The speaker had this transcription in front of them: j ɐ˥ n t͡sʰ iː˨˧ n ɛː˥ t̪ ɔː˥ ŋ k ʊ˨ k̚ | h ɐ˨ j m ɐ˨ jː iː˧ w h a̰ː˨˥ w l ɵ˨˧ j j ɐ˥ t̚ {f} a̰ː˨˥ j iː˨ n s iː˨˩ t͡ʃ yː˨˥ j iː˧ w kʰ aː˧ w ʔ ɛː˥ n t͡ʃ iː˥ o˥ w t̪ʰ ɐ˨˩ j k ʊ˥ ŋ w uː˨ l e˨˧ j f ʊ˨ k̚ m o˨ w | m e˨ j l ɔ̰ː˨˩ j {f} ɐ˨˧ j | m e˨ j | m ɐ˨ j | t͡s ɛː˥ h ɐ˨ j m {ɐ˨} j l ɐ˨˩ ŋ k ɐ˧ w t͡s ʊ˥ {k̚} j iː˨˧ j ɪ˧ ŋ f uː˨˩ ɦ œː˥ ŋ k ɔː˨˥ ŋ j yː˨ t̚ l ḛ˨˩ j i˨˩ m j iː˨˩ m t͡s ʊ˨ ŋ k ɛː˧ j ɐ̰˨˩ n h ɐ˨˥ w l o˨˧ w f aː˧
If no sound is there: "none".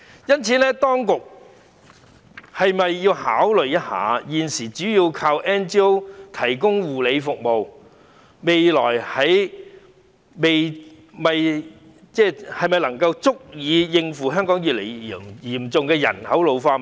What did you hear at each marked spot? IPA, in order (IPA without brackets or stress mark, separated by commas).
h, h, ɐ˨, k̚